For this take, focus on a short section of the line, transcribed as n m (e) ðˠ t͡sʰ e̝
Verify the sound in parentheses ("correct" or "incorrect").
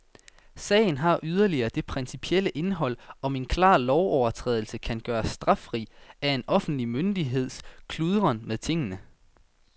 correct